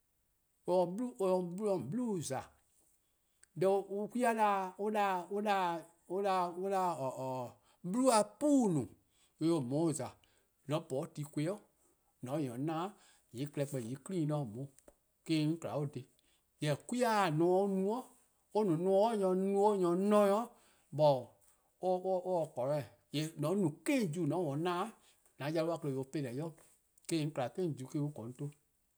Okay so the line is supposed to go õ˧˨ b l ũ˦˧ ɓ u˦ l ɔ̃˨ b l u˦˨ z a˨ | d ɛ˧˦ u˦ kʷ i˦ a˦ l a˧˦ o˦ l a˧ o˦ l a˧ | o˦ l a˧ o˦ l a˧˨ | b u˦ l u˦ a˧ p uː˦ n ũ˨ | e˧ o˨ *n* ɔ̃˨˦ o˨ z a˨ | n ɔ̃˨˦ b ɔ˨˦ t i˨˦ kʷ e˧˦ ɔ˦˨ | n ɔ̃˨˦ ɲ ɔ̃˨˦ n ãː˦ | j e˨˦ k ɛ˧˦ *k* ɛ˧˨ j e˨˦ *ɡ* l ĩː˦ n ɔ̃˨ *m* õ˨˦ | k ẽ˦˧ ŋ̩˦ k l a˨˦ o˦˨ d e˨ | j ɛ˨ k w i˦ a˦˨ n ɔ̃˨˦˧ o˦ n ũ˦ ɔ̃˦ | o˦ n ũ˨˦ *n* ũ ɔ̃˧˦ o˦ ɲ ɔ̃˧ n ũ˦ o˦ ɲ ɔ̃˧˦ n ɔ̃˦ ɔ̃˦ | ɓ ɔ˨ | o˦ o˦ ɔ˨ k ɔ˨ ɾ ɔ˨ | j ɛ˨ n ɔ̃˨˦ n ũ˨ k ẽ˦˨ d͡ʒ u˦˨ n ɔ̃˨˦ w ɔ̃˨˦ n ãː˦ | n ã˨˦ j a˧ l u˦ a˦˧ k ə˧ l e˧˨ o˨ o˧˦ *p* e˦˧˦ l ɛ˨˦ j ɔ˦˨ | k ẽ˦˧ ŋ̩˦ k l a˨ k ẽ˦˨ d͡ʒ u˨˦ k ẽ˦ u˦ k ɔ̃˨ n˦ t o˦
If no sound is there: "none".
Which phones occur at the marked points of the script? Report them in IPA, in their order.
m, k͡p, k, m, n, p

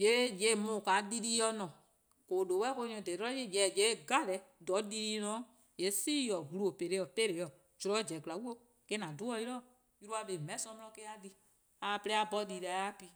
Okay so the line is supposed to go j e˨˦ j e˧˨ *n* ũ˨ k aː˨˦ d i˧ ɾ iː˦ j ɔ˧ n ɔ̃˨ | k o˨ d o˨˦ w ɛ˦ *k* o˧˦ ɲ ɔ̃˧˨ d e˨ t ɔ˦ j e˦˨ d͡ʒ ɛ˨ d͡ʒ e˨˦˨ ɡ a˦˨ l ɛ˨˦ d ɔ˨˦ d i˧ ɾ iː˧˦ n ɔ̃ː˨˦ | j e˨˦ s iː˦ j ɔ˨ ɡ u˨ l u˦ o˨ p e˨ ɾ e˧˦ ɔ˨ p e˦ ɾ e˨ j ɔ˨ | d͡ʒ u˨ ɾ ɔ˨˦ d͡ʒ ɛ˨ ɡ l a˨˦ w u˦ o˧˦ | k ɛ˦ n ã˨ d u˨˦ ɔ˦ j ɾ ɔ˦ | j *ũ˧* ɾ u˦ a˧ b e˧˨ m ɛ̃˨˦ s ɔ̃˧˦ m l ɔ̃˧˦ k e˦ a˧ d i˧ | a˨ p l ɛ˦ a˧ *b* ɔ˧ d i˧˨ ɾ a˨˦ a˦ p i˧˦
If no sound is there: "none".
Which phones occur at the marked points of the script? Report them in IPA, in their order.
m, k, u˧, b

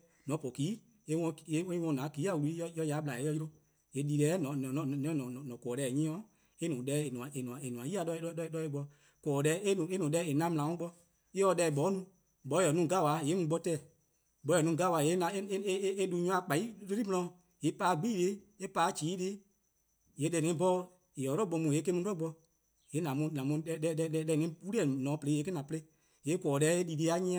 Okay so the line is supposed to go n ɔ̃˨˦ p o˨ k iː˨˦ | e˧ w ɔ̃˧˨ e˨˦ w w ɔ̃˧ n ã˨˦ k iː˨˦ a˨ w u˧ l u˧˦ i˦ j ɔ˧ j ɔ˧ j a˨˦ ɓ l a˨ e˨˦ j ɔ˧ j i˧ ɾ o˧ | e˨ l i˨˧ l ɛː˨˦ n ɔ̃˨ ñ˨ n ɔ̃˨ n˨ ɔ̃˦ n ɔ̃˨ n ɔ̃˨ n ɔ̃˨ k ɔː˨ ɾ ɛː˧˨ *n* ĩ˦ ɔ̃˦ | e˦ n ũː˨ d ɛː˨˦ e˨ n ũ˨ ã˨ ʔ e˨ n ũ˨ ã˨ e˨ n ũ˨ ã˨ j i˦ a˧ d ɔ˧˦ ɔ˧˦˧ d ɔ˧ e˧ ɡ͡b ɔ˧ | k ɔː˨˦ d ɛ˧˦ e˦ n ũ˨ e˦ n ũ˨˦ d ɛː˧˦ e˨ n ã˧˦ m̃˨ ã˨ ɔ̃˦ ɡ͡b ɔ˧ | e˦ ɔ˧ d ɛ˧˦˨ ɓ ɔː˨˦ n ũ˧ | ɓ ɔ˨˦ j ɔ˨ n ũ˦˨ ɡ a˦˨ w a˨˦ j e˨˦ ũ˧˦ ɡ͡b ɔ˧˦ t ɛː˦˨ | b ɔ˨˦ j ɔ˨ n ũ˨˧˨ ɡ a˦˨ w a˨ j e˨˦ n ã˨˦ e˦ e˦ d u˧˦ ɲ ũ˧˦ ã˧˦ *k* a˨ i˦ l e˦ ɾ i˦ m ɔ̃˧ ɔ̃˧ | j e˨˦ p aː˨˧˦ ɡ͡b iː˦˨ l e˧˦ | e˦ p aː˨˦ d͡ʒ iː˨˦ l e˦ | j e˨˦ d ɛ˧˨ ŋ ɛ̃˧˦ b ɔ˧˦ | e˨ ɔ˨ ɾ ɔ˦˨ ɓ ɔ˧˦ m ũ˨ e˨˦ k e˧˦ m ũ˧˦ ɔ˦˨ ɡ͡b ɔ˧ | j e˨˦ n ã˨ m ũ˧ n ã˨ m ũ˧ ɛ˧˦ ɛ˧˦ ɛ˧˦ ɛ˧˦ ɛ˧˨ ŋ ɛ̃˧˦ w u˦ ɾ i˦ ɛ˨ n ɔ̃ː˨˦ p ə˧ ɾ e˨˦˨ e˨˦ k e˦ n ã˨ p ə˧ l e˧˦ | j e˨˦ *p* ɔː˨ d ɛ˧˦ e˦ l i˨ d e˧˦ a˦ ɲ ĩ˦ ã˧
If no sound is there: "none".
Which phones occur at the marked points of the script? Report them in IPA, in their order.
ɲ, k͡p, k

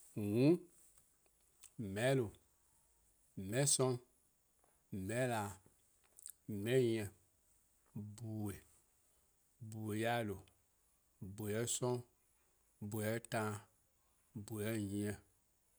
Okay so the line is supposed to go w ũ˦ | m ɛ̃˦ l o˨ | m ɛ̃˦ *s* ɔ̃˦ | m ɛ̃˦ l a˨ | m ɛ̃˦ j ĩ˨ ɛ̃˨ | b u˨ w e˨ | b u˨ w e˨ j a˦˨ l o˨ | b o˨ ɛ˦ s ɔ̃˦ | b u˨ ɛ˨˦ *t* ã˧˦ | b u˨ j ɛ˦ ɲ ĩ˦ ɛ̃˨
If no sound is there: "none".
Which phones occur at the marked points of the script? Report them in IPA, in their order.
s, t

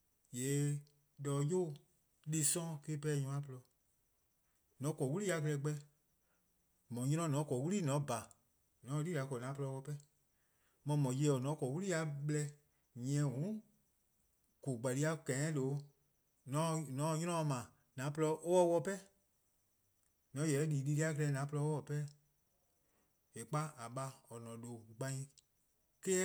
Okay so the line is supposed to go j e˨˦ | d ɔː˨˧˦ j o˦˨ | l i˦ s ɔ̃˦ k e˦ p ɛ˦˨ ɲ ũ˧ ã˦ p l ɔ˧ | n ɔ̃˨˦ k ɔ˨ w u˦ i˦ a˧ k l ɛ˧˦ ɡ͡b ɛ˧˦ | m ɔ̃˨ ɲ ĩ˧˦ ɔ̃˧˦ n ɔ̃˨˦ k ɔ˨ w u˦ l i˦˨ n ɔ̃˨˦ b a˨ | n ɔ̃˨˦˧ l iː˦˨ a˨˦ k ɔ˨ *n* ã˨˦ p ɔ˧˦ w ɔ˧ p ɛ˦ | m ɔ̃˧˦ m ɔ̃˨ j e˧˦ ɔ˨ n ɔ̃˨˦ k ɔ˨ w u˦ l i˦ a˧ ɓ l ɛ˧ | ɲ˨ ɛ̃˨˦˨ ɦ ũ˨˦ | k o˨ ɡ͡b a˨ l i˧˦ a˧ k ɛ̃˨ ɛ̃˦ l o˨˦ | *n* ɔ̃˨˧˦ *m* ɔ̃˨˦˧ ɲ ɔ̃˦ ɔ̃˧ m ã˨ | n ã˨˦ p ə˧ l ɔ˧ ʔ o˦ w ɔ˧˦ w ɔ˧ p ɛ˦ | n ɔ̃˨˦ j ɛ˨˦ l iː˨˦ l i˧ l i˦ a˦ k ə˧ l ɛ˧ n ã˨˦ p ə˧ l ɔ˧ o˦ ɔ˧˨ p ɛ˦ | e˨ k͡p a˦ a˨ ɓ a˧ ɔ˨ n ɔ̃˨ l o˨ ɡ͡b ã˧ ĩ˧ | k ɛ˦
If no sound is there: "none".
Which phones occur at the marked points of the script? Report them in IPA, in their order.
n, n, n

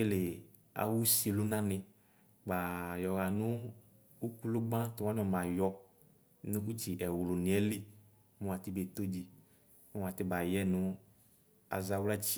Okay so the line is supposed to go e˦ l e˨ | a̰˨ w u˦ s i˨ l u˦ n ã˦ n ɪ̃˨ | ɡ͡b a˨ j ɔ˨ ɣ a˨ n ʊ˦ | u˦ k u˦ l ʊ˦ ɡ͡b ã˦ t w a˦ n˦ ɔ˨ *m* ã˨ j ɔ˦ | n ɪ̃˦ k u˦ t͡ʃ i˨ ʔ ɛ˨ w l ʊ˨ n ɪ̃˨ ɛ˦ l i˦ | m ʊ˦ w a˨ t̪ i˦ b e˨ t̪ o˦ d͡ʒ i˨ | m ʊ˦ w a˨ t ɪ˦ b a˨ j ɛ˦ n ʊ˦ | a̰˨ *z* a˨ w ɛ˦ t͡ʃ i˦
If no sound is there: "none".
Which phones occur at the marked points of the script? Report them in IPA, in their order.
m, z

